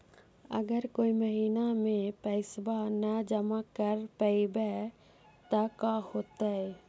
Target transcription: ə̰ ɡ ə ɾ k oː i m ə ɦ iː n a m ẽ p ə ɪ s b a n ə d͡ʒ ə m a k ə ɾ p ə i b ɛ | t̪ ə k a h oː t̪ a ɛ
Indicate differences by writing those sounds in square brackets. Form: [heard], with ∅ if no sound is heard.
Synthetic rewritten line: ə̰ ɡ ə ɾ k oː i m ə ɦ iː n a m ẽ p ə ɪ s b a n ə d͡ʒ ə m a k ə ɾ p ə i b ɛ | t̪ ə k a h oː t̪ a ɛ